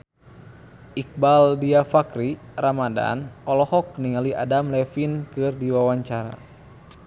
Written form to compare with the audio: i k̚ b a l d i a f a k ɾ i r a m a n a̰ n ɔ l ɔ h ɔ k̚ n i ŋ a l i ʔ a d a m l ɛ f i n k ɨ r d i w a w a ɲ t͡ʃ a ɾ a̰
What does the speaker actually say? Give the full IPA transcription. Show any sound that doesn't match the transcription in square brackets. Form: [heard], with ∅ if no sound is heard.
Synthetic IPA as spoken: i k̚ b a l d i a f a k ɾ i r a m a [d] a̰ n ɔ l ɔ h ɔ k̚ n i ŋ a l i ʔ a d a m l ɛ f i n k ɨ r d i w a w a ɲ t͡ʃ a ɾ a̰